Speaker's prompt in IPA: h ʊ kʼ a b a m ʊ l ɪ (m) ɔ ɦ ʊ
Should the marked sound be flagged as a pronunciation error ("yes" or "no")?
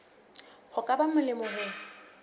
no